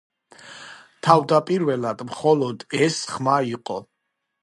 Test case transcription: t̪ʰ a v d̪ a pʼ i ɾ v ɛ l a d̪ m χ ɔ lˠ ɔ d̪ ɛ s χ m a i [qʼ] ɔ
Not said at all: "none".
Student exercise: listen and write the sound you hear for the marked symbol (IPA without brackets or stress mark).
qʼ